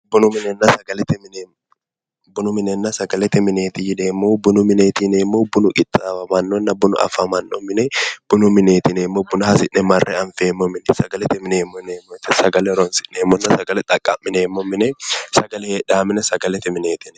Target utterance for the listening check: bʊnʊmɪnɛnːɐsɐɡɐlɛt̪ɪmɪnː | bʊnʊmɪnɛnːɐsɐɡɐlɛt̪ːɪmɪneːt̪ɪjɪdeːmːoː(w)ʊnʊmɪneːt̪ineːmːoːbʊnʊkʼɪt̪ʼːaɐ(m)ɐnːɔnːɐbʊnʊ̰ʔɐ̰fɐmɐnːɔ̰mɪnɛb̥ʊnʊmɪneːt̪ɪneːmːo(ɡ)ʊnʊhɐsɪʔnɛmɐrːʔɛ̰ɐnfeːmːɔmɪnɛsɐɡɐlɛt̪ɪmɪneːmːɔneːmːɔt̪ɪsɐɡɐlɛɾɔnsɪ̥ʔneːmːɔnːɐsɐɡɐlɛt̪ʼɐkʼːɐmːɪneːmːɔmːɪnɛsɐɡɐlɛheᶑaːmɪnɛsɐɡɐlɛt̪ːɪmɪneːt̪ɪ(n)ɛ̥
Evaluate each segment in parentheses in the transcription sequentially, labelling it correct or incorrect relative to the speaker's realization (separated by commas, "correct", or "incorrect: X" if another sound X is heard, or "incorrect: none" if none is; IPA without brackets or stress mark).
incorrect: b, correct, incorrect: b, correct